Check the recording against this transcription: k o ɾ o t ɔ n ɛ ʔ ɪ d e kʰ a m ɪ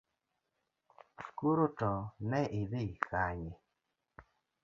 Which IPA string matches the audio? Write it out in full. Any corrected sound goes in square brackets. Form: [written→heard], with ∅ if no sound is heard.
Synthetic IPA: k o ɾ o t ɔ n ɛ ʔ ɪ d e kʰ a [m→ɲ] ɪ